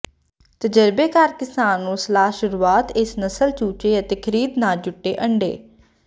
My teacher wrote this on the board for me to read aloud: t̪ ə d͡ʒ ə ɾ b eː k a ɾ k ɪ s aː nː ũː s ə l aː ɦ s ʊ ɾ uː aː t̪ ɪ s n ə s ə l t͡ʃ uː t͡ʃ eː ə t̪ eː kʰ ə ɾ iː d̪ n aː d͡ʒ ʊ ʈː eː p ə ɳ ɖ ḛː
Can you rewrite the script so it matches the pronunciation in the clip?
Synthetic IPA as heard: t̪ ə d͡ʒ ə ɾ b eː k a ɾ k ɪ s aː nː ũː s ə l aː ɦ ʃ ʊ ɾ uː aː t̪ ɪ s n ə s ə l t͡ʃ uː t͡ʃ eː ə t̪ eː kʰ ə ɾ iː d̪ n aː d͡ʒ ʊ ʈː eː ʔ ə ɳ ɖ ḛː